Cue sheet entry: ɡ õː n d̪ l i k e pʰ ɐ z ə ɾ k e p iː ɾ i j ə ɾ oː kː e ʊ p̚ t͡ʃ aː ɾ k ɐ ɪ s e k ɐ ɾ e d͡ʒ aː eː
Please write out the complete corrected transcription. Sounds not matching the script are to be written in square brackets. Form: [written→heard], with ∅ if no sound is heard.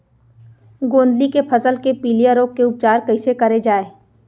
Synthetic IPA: ɡ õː n d̪ l i k e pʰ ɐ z ə [ɾ→l] k e p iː [ɾ→l] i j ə ɾ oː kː e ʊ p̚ t͡ʃ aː ɾ k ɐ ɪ s e k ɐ ɾ e d͡ʒ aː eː